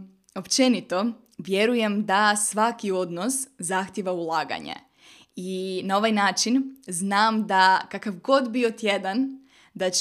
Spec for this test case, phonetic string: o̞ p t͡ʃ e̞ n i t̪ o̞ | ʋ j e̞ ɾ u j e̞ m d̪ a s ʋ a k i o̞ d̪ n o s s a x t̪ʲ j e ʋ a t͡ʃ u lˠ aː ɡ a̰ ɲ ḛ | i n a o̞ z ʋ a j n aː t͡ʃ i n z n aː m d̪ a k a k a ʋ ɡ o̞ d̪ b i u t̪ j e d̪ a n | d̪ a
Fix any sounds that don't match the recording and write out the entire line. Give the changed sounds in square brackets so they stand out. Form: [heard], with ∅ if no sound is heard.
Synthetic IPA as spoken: o̞ p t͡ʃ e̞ n i t̪ o̞ | ʋ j e̞ ɾ u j e̞ m d̪ a s ʋ a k i o̞ d̪ n o s [z] a x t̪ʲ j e ʋ a [∅] u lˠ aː ɡ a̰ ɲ ḛ | i n a o̞ [∅] ʋ a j n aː t͡ʃ i n z n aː m d̪ a k a k a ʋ ɡ o̞ d̪ b i [o] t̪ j e d̪ a n | d̪ a